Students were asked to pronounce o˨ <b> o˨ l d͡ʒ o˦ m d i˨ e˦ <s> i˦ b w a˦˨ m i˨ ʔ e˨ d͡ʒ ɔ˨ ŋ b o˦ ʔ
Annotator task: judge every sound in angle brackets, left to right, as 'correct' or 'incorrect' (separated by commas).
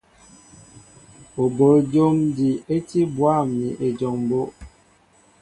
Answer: correct, incorrect